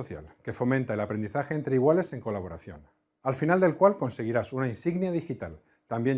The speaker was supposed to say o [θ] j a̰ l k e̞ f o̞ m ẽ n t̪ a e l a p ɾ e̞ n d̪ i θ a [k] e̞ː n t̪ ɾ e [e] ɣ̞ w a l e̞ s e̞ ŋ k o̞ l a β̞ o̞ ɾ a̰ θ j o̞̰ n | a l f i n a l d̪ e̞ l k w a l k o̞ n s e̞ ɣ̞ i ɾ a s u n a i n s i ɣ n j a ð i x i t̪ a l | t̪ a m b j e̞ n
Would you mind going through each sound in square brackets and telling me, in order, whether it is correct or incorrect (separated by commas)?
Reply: correct, incorrect, incorrect